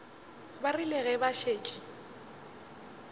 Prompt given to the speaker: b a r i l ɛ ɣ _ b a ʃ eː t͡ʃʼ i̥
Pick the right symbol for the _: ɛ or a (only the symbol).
ɛ